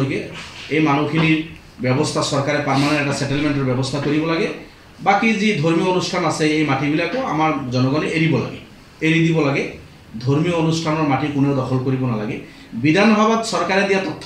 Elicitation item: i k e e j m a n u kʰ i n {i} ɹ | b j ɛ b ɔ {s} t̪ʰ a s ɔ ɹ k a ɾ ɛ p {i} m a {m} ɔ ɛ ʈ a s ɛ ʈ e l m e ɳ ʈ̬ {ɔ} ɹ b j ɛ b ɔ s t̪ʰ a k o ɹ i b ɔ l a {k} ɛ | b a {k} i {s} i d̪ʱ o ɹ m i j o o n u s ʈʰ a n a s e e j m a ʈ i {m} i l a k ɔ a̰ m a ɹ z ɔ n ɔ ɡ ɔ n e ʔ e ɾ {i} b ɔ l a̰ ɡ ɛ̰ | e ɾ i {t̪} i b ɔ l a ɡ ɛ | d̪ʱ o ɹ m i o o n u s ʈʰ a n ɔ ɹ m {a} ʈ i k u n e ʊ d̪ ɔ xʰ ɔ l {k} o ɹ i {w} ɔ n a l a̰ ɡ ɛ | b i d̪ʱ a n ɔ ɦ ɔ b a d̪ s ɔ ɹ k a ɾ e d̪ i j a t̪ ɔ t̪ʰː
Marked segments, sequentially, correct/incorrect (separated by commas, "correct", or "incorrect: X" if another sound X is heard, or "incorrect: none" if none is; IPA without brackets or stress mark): correct, correct, incorrect: a, incorrect: n, correct, incorrect: ɡ, correct, incorrect: z, incorrect: b, correct, incorrect: d̪, correct, correct, incorrect: b